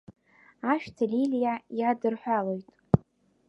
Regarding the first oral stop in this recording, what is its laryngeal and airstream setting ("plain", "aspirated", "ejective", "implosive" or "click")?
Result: aspirated